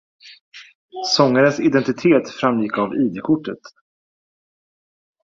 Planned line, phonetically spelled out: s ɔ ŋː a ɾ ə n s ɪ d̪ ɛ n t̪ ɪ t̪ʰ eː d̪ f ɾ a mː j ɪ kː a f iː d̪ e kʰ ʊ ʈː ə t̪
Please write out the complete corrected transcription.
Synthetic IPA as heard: s ɔ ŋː a ɾ ə n s ɪ d̪ ɛ n t̪ ɪ t̪ʰ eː t̪ f ɾ a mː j ɪ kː a v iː d̪ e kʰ ʊ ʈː ə t̪